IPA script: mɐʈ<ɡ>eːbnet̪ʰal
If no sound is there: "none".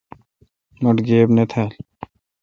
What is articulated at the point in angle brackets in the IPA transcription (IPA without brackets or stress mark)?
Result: ɡ